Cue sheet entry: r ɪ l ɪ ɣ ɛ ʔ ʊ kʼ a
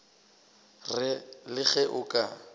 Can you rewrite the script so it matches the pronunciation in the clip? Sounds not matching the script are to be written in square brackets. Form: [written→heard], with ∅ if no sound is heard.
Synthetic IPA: r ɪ l ɪ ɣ ɛ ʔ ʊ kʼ a